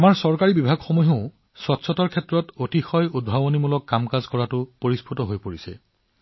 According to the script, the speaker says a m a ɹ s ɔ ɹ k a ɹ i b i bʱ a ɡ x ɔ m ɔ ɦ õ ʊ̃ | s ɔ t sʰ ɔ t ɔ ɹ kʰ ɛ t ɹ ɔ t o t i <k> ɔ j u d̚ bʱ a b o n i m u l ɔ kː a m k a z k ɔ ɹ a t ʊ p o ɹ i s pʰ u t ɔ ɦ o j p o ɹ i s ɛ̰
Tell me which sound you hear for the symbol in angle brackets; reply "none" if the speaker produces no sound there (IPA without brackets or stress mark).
x